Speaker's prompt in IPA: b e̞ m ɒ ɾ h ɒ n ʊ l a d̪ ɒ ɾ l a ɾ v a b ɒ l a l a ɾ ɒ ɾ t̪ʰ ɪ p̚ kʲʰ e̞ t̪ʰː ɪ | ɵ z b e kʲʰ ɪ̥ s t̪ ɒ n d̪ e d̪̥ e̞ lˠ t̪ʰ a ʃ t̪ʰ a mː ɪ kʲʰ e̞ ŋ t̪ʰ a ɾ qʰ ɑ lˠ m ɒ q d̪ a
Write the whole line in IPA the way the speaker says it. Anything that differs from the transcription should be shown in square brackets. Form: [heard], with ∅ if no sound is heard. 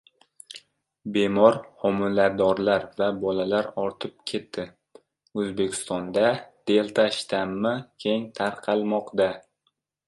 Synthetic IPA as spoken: b e̞ m ɒ ɾ h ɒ [m] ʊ l a d̪ ɒ ɾ l a ɾ v a b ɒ l a l a ɾ ɒ ɾ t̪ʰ ɪ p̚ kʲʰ e̞ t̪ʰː ɪ | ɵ z b e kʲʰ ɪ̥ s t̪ ɒ n d̪ [a] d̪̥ e̞ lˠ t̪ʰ a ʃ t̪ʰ a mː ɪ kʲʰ e̞ ŋ t̪ʰ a ɾ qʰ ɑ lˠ m ɒ q d̪ a